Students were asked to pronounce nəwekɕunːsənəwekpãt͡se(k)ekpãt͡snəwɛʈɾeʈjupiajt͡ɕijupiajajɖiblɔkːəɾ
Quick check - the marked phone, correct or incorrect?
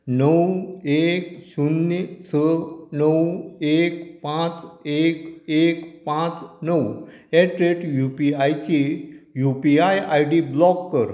correct